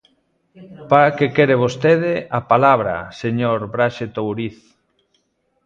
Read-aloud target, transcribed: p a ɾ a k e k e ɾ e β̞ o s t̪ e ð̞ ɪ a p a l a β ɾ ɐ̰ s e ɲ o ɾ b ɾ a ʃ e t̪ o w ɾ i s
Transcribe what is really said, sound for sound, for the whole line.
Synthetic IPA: p a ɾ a k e k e ɾ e β̞ o s t̪ e ð̞ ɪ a p a l a β ɾ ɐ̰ s e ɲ o ɾ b ɾ a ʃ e t̪ o w ɾ i θ